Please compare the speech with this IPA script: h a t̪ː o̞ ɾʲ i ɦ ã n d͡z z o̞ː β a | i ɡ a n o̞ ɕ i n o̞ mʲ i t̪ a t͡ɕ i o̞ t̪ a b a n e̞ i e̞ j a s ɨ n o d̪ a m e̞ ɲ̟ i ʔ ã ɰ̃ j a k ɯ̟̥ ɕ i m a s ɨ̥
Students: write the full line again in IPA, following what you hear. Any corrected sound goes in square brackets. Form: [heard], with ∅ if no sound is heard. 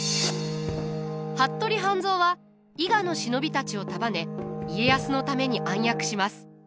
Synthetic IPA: h a t̪ː o̞ ɾʲ i ɦ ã n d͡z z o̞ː β a | i ɡ a n o̞ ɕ i n o̞ [bʲ] i t̪ a t͡ɕ i o̞ t̪ a b a n e̞ i e̞ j a s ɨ n o [t̪] a m e̞ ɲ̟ i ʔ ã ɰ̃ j a k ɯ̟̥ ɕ i m a s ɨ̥